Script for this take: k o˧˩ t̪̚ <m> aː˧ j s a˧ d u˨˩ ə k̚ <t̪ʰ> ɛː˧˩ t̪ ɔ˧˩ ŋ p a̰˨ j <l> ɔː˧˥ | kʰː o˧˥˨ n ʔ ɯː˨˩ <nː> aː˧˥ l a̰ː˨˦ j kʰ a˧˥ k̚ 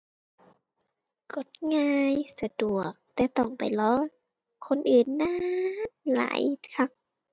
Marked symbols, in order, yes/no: no, no, yes, yes

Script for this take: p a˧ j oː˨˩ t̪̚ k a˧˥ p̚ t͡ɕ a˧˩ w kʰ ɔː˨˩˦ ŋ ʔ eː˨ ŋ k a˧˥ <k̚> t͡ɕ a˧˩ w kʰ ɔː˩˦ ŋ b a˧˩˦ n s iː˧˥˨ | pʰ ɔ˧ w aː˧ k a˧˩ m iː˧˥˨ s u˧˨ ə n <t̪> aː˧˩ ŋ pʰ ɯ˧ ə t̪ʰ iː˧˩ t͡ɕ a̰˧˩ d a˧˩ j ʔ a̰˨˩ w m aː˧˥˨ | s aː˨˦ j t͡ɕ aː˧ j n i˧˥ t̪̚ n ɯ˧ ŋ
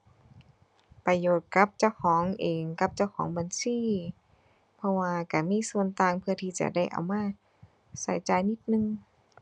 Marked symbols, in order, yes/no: no, yes

